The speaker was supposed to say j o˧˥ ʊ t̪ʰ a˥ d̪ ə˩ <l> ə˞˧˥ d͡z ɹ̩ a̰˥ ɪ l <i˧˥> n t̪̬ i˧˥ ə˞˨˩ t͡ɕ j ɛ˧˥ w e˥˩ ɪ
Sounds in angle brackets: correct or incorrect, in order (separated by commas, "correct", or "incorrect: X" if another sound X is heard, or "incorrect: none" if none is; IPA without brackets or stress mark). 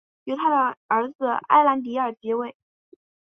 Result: incorrect: none, incorrect: a˧˥